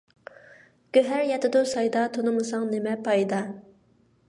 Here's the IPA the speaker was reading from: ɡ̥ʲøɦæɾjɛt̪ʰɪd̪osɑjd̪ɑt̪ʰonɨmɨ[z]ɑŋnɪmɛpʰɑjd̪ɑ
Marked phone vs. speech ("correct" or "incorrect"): incorrect